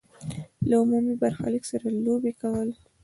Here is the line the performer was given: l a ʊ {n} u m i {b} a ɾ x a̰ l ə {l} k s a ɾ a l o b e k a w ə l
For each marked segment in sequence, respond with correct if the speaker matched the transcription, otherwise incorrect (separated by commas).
incorrect, correct, incorrect